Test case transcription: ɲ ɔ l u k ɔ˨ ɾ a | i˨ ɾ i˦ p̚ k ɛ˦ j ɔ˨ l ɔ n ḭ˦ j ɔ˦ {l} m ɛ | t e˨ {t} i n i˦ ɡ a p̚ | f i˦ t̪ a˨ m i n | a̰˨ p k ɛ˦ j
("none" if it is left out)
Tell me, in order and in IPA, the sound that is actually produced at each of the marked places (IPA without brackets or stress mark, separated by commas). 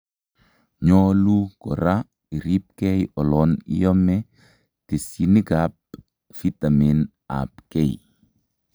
none, s